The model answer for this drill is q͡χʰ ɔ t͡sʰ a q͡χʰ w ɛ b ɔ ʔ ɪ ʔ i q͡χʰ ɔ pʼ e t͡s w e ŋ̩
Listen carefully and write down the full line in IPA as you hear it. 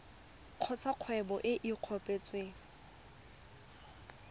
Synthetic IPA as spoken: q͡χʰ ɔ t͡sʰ a q͡χʰ w ɛ b ɔ ʔ ɪ ʔ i q͡χʰ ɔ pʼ e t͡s w e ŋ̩